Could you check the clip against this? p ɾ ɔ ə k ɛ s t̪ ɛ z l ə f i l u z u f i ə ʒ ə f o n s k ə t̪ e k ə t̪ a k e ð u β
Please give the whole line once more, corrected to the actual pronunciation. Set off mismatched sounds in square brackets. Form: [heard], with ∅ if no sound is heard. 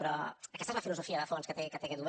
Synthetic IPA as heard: p ɾ ɔ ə k ɛ s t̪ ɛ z l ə f i l u z u f i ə [ð] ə f o n s k ə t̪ e k ə t̪ [e] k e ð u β